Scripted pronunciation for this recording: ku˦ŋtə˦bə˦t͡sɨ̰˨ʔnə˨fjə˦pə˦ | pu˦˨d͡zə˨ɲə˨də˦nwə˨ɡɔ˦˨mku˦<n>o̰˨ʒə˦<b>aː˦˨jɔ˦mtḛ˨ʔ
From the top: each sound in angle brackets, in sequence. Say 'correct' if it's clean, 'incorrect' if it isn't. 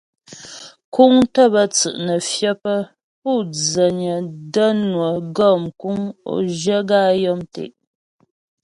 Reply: incorrect, incorrect

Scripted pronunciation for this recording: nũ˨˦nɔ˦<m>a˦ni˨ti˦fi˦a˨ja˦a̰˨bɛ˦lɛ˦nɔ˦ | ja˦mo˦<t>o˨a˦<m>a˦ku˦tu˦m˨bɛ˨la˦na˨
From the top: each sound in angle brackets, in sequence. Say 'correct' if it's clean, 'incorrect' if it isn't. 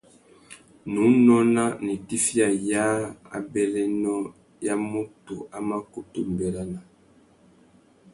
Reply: incorrect, correct, correct

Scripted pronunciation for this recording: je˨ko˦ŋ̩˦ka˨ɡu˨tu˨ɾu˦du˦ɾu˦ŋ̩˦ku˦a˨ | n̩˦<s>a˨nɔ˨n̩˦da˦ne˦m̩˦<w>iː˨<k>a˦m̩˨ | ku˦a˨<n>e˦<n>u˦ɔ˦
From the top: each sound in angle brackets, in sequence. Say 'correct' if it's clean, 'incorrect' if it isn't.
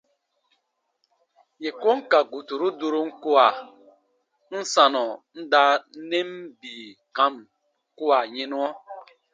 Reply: correct, incorrect, correct, incorrect, correct

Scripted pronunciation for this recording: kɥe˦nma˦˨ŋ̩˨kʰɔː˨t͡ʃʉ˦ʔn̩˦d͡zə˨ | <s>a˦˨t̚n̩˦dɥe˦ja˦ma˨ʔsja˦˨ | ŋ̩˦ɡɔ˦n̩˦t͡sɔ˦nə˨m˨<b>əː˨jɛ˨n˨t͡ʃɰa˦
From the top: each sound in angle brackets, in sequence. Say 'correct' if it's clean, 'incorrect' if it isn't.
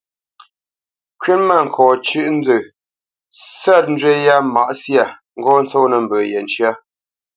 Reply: correct, correct

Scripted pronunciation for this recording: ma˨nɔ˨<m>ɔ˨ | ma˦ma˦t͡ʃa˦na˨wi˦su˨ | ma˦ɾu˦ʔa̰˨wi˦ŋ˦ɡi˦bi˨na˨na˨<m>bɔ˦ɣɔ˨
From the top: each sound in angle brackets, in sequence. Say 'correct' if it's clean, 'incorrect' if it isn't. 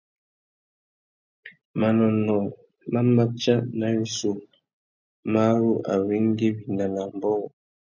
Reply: incorrect, correct

